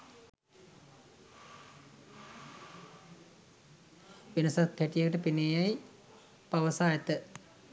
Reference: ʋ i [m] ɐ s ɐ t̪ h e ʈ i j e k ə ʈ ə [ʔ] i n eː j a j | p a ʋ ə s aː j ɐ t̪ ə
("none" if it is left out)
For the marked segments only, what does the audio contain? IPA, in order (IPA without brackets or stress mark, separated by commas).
n, p